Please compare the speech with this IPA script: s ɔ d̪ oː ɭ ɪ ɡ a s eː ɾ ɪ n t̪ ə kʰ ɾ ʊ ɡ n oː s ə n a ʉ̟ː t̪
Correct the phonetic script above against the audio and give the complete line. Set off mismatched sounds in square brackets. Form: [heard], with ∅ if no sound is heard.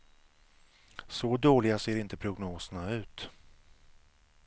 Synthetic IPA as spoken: s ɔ d̪ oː [l] ɪ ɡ a s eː ɾ ɪ n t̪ ə [pʰ] ɾ ʊ ɡ n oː s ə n a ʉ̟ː t̪